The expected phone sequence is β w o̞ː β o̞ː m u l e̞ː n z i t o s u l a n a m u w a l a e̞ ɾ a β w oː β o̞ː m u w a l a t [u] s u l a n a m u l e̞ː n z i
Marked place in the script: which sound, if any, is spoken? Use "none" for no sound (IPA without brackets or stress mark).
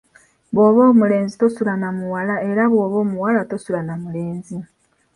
o